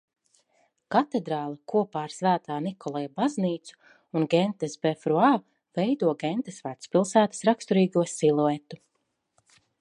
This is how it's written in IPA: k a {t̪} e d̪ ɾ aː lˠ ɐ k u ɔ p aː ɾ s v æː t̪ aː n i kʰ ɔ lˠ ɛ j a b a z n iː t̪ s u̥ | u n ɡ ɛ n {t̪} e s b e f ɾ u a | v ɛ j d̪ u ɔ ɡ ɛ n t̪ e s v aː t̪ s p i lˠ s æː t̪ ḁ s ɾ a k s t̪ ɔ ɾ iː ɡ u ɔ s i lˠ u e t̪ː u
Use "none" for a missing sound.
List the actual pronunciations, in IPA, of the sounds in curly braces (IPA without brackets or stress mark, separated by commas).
t̪, t̪